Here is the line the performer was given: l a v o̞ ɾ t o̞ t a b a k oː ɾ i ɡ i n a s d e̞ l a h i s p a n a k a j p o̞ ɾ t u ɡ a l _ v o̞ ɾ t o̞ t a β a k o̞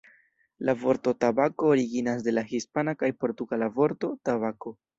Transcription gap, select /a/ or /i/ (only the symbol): a